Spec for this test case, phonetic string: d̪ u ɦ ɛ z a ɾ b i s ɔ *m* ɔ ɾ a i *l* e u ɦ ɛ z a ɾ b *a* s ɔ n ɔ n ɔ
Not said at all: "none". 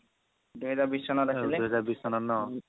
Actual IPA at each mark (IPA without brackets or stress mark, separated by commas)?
n, l, i